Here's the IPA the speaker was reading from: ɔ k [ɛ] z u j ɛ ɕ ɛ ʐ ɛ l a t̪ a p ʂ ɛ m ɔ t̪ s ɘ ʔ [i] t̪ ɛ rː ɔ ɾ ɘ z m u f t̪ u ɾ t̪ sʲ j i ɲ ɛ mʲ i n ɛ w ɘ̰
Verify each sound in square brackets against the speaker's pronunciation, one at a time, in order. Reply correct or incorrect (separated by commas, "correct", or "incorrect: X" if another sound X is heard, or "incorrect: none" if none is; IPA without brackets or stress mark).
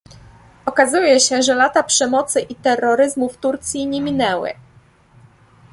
incorrect: a, correct